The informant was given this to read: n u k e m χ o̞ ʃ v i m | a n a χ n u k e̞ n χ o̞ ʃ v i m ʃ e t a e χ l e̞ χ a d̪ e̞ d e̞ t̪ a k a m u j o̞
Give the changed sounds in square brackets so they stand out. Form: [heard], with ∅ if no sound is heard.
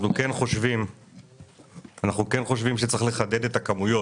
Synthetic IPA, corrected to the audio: n u k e [n] χ o̞ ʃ v i m | a n a χ n u k e̞ n χ o̞ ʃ v i m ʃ e [t͡s] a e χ l e̞ χ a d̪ e̞ d e̞ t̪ a k a m u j o̞